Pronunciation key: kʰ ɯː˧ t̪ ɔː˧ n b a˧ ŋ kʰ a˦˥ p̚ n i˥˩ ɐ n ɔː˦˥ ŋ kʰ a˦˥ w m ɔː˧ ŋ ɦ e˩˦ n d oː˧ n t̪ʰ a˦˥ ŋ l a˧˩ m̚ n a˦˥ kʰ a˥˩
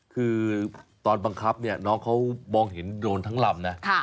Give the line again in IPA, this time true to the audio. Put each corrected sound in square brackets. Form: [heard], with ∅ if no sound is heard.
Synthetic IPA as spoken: kʰ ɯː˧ t̪ ɔː˧ n b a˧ ŋ kʰ a˦˥ p̚ n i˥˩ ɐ n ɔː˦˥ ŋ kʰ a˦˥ w m ɔː˧ ŋ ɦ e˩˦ n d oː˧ n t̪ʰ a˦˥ ŋ l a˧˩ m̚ n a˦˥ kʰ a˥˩